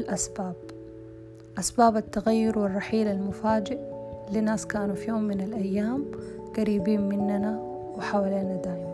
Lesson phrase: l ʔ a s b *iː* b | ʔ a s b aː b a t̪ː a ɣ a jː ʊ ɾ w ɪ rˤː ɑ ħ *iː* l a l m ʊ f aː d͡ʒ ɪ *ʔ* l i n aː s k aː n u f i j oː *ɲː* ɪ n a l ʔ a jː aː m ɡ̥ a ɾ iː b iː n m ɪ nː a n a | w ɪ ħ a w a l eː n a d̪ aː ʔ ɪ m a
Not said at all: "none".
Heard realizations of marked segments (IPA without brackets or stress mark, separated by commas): aː, iː, ʔ, mː